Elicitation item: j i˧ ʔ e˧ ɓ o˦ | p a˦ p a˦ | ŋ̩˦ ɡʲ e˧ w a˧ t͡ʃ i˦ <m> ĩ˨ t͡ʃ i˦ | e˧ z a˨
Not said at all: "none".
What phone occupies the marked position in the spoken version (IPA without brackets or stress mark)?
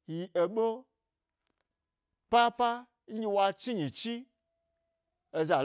ɲ